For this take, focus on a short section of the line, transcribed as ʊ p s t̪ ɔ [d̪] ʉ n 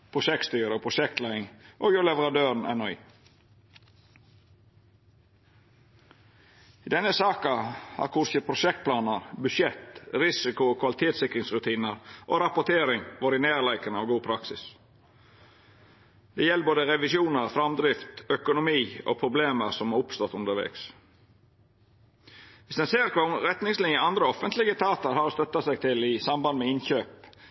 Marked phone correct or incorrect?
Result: incorrect: t̪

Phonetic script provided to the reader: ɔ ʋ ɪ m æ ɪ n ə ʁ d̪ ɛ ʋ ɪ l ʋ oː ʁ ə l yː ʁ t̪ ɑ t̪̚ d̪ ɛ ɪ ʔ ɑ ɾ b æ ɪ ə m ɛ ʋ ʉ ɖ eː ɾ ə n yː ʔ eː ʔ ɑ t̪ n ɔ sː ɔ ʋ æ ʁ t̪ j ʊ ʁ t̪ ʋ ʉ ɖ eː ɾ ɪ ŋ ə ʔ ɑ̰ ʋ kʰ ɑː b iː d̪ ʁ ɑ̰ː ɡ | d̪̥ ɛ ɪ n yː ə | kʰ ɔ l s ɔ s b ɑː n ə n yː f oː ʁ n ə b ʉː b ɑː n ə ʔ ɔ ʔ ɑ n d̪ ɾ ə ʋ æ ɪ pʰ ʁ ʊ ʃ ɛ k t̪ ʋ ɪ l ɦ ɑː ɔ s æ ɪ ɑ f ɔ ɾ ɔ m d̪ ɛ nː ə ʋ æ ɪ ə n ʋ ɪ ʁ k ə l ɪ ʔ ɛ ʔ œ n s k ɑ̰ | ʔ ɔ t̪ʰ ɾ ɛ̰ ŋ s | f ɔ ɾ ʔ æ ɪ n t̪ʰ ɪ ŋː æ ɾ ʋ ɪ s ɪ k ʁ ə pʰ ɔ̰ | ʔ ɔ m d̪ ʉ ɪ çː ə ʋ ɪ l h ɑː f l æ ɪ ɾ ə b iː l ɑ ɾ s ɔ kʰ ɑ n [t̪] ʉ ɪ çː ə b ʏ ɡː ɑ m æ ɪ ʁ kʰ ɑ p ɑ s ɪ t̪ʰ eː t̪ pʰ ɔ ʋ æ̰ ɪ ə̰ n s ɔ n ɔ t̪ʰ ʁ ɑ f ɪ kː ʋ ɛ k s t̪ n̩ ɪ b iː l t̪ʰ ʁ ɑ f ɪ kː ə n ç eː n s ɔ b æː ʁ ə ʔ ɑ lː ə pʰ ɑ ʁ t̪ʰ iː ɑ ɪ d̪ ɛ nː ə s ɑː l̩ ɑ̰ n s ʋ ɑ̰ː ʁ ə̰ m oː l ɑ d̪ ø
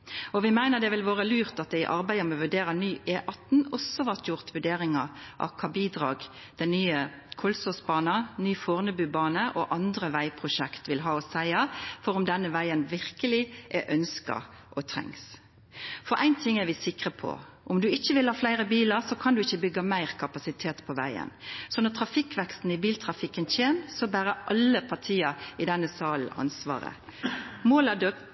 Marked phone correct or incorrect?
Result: incorrect: d̪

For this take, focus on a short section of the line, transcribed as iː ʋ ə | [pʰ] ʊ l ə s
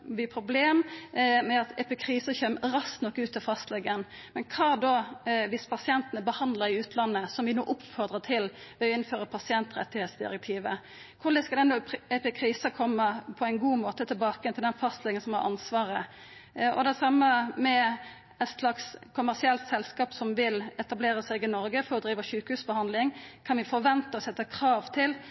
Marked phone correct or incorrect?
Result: incorrect: kʰ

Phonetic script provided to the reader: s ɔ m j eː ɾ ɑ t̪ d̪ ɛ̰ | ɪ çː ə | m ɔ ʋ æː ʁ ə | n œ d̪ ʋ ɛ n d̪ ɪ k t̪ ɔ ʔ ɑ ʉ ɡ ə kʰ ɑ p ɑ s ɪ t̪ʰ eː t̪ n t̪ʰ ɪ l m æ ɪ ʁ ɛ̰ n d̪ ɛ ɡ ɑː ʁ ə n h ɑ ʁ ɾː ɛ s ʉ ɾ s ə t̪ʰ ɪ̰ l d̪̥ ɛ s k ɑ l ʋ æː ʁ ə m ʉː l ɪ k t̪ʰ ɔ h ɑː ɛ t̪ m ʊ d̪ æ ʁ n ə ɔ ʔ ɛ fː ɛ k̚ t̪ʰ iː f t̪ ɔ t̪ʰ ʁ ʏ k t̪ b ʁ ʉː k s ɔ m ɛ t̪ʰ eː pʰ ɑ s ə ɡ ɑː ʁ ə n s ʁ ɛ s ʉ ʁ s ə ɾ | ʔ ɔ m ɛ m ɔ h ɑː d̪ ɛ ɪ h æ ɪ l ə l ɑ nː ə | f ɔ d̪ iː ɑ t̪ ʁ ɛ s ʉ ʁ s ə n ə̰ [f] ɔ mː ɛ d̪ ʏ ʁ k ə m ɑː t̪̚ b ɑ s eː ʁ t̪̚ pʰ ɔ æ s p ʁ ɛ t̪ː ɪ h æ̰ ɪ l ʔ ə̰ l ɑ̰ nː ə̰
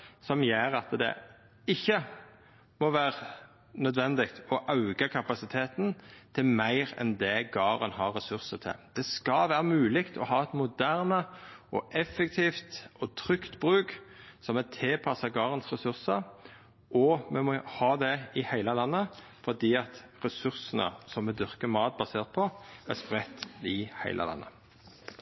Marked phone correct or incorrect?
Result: incorrect: s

